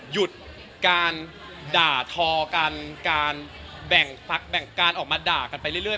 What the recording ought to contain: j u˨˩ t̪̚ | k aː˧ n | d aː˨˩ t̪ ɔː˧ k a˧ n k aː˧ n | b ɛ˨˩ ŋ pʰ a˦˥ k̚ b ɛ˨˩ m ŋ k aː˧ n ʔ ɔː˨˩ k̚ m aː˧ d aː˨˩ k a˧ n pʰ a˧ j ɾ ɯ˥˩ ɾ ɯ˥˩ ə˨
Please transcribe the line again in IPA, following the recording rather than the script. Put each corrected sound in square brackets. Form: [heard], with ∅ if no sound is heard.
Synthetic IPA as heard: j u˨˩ t̪̚ | k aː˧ n | d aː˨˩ [t̪ʰ] ɔː˧ k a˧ n k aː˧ n | b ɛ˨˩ ŋ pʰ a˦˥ k̚ b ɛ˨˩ [∅] ŋ k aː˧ n ʔ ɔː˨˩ k̚ m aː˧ d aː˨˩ k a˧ n [p] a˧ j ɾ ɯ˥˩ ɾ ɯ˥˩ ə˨